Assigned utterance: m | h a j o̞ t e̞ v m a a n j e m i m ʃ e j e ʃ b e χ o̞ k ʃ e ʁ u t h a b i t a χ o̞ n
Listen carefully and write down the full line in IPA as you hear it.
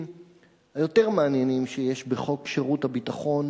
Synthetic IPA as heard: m | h a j o̞ t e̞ ʁ m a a n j e n i m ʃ e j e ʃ b e χ o̞ k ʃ e ʁ u t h a b i t a χ o̞ n